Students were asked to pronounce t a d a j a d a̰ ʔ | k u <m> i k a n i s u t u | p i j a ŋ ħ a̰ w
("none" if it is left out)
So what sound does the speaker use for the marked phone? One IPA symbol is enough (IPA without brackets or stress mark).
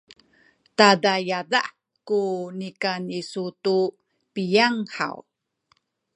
n